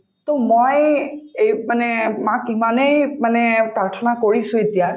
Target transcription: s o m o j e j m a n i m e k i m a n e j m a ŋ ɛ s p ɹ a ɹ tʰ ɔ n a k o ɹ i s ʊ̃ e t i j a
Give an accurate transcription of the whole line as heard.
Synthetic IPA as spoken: t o m o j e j m a n ɛ m a k i m a n e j m a n ɛ p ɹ a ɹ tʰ ɔ n a k o ɹ i s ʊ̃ e t i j a